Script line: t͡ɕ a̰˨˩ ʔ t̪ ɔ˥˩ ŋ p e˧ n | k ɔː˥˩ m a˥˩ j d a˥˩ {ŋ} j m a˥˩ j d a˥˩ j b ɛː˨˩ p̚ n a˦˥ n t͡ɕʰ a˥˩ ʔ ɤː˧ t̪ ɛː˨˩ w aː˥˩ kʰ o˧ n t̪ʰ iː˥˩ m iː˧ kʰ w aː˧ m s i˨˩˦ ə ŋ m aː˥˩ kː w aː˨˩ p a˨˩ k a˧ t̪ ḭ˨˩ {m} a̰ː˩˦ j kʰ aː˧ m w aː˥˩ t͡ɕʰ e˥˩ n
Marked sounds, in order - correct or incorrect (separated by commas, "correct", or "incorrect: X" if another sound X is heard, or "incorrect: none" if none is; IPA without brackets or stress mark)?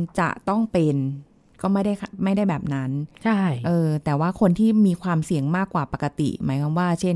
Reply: incorrect: none, correct